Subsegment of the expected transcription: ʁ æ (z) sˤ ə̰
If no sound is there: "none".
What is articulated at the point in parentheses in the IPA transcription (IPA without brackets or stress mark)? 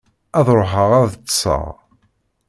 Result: ð